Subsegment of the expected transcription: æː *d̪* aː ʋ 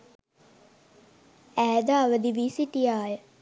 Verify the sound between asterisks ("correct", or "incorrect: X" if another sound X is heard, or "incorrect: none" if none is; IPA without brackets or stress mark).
correct